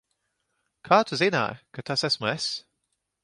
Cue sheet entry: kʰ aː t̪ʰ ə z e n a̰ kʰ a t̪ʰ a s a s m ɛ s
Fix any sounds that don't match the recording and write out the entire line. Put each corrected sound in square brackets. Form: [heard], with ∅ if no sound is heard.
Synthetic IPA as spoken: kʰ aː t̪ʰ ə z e n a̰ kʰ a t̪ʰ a s [ɛ] s m ɛ s